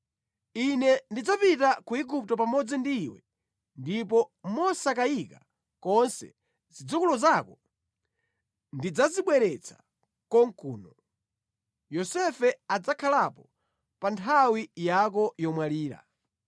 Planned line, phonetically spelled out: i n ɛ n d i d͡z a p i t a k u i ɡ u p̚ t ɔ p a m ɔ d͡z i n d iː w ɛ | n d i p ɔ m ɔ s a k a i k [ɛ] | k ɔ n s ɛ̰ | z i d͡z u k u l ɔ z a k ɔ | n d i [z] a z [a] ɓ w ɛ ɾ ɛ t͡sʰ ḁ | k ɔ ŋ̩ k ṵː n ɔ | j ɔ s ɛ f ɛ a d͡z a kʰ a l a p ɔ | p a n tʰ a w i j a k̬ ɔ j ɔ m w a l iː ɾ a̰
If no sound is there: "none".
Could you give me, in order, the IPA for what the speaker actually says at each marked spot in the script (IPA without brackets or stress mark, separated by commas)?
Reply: a, d͡z, i